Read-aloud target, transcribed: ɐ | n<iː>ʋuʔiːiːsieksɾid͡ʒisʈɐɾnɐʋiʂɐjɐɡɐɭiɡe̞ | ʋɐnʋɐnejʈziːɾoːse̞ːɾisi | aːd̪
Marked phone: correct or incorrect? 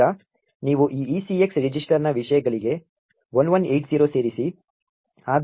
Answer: correct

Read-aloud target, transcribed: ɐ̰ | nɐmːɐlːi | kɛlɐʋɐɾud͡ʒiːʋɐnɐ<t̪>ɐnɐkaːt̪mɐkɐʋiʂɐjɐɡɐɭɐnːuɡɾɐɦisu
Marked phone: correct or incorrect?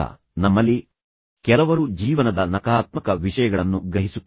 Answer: incorrect: d̪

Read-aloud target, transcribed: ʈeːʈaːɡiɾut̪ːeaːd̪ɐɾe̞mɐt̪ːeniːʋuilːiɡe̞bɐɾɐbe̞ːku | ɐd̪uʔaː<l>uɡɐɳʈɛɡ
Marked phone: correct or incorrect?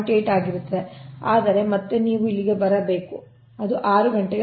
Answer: incorrect: ɾ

